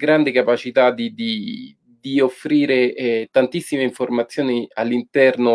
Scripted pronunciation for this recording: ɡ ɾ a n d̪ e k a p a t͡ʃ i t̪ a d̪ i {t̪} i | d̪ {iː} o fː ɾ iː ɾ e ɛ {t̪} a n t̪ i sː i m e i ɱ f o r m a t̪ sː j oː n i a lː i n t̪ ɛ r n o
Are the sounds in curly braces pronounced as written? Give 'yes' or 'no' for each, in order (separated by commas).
no, no, yes